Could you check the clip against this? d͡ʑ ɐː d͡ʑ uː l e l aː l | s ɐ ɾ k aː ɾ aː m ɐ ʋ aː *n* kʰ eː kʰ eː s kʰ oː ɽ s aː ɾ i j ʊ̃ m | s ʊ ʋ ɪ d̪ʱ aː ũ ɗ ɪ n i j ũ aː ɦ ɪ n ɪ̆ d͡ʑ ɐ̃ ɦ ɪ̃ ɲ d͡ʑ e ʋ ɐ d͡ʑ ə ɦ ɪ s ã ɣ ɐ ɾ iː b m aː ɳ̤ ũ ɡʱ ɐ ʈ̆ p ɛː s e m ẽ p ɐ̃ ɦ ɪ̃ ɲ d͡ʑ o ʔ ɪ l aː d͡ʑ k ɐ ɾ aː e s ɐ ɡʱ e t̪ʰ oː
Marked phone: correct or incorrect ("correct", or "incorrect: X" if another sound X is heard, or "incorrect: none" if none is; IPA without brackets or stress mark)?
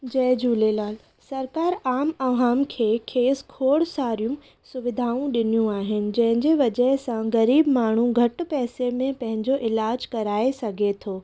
incorrect: m